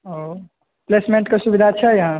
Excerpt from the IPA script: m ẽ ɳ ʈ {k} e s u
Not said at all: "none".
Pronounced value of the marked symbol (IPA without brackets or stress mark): k